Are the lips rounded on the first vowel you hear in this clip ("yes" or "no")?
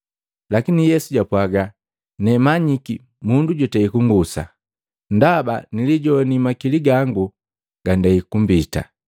no